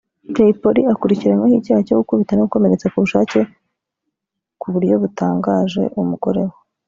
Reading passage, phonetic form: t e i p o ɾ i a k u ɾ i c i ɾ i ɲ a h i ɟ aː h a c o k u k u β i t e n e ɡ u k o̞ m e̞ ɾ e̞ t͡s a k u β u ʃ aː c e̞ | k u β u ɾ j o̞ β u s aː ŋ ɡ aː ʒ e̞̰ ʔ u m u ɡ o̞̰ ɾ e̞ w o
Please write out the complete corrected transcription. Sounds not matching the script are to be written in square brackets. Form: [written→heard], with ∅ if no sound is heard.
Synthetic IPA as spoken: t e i p o ɾ i a k u ɾ i c i ɾ [i→a] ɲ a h i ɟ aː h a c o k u k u β i t [e→a] n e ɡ u k o̞ m e̞ ɾ e̞ t͡s a k u β u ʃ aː c e̞ | k u β u ɾ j o̞ β u [s→t] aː ŋ ɡ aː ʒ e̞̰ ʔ u m u ɡ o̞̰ ɾ e̞ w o